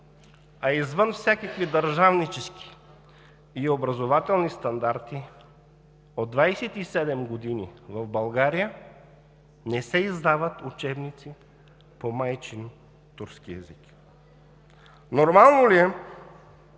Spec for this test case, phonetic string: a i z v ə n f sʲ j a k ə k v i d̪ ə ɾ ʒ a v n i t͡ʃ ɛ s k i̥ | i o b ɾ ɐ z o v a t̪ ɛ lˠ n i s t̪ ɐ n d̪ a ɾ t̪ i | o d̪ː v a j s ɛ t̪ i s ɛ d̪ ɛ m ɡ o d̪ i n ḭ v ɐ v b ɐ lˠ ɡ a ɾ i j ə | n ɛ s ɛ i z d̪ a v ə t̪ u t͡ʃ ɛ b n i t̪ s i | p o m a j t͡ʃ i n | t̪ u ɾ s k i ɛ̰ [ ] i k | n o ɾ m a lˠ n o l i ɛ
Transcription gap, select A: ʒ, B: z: B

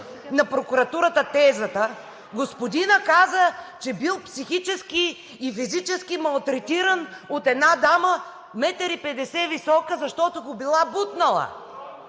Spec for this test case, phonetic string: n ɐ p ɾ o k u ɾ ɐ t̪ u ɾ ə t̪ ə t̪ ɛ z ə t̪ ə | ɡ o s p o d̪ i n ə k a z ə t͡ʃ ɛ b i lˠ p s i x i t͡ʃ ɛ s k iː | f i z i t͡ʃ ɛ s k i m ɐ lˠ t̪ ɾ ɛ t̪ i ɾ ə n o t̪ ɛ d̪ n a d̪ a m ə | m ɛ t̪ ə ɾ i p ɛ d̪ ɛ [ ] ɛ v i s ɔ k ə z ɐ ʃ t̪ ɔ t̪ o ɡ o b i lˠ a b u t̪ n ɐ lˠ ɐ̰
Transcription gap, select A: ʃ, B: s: B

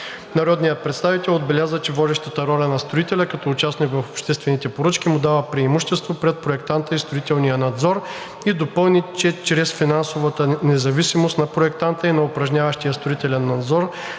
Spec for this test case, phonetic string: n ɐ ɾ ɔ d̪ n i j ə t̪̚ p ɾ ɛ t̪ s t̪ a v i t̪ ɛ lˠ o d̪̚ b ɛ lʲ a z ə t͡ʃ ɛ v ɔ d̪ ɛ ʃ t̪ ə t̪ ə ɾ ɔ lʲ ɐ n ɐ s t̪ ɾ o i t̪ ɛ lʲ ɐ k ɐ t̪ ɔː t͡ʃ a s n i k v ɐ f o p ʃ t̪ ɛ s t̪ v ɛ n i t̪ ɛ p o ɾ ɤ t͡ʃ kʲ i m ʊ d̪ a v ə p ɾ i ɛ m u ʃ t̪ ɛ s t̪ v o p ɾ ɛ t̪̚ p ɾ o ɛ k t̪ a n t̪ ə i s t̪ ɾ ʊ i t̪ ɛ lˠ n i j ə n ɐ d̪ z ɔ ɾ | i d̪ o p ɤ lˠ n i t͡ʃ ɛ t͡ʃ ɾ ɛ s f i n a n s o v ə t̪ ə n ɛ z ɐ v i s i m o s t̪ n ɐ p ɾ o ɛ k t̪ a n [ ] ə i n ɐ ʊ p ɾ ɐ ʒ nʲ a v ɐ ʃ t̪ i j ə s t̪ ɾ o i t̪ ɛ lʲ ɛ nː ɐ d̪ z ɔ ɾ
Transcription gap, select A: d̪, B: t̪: B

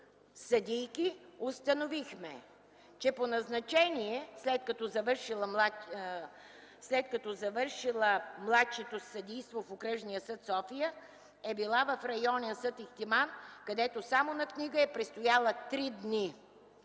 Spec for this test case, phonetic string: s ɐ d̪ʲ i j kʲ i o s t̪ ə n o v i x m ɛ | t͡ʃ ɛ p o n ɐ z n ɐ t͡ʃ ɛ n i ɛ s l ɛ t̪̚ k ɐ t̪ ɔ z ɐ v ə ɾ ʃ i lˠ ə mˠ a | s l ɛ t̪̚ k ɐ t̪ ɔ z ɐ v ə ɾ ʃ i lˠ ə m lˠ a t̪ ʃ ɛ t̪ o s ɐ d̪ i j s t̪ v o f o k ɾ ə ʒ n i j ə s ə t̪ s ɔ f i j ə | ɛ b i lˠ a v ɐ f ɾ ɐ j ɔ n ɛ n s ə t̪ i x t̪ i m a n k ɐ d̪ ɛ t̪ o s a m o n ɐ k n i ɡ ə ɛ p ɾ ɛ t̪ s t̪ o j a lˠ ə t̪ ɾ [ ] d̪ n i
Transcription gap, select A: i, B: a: A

